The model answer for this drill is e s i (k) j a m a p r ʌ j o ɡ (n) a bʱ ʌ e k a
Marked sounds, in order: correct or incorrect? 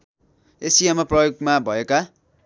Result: incorrect: none, incorrect: m

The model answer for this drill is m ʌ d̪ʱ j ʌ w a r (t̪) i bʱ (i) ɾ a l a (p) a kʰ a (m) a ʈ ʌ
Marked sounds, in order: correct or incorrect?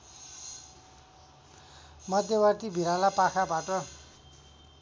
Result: correct, correct, correct, incorrect: b

